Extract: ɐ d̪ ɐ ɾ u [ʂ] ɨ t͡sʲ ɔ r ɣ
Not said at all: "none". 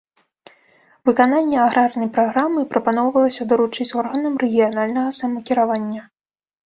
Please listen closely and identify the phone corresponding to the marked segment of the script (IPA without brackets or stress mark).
t͡ʂ